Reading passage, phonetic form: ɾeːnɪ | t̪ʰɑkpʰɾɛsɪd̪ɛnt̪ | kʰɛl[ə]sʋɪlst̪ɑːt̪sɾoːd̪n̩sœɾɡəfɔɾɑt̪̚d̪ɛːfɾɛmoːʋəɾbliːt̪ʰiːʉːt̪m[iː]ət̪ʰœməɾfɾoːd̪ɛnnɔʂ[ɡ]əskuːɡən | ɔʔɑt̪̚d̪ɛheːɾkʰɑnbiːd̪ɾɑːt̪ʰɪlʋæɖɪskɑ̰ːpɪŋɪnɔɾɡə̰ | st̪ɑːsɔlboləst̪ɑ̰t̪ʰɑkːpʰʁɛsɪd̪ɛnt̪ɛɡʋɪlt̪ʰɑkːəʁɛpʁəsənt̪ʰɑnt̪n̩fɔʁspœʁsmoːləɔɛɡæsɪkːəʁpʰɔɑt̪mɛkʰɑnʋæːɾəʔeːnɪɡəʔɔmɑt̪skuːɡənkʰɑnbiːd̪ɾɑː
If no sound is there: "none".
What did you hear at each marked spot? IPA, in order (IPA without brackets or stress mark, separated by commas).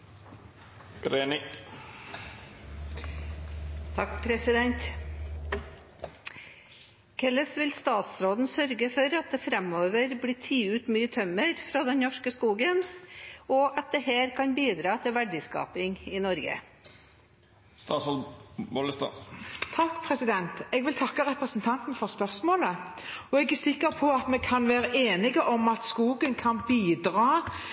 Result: ə, yː, k